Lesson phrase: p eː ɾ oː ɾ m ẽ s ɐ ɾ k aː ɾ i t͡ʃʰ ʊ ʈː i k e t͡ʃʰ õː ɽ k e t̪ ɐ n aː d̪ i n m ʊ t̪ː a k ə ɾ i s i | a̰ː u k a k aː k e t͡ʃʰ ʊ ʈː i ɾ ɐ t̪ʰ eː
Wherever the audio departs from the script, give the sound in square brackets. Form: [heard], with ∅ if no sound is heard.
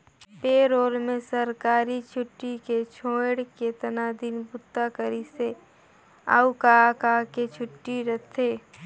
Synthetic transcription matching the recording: p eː ɾ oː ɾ m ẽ s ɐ ɾ k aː ɾ i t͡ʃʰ ʊ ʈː i k e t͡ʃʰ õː ɽ k e t̪ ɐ n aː d̪ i n [b] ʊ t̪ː a k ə ɾ i s [e] | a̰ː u k a k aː k e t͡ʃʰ ʊ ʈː i ɾ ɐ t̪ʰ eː